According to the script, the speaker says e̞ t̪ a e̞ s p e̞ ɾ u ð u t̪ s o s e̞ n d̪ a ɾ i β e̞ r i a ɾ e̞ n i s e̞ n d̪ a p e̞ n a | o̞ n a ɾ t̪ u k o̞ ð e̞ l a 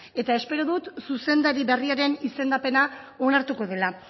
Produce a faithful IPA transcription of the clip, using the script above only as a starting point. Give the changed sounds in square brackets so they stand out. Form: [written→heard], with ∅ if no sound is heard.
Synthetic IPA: e̞ t̪ a e̞ s p e̞ ɾ [u→o] ð u t̪ s [o→u] s e̞ n d̪ a ɾ i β e̞ r i a ɾ e̞ n i s e̞ n d̪ a p e̞ n a | o̞ n a ɾ t̪ u k o̞ ð e̞ l a